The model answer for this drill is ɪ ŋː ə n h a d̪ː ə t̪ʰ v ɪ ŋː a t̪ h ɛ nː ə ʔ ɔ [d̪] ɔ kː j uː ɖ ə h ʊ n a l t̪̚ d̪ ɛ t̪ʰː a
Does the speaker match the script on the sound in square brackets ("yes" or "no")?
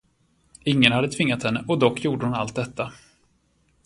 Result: yes